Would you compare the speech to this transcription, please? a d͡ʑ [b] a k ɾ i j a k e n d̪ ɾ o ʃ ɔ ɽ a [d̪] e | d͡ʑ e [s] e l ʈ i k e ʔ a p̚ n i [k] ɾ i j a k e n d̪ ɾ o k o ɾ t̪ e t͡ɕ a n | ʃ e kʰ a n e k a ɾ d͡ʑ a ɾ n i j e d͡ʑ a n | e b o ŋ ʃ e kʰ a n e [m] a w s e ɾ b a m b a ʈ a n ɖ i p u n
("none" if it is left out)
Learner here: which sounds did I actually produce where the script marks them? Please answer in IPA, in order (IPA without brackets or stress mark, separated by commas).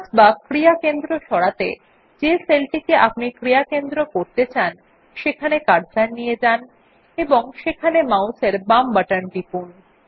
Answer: b, t̪, s, k, m